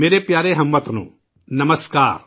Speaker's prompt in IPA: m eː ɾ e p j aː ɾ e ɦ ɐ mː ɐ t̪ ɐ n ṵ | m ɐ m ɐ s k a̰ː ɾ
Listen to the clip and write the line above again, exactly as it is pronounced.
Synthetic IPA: m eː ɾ e p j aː ɾ e ɦ ɐ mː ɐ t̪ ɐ n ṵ | n ɐ m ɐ s k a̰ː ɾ